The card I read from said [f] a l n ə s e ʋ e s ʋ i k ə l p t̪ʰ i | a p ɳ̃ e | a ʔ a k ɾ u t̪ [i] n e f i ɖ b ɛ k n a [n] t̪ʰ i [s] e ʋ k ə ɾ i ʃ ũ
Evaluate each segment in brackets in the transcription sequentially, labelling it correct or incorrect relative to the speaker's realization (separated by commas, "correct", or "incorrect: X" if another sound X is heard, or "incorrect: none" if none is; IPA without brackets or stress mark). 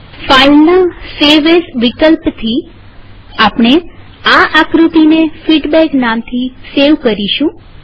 correct, correct, incorrect: m, correct